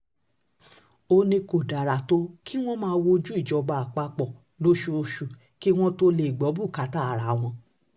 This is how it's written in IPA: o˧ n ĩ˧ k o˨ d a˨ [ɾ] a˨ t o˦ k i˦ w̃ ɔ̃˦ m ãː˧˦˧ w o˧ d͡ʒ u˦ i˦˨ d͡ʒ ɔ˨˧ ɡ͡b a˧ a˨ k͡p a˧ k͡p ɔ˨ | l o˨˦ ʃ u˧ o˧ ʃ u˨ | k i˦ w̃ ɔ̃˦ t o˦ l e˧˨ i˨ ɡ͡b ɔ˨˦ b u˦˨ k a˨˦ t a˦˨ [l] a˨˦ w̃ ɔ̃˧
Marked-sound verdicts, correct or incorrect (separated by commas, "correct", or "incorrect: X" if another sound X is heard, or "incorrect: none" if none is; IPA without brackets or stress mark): correct, incorrect: ɾ